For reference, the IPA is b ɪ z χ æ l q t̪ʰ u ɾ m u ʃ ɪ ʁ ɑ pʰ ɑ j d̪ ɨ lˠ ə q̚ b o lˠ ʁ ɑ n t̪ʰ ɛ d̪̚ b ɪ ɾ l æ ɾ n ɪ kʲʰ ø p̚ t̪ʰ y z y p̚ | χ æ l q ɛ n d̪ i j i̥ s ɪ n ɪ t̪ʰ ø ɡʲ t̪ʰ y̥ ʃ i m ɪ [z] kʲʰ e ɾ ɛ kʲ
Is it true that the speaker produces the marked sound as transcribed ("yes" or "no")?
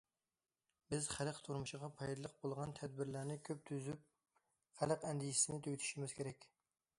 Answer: yes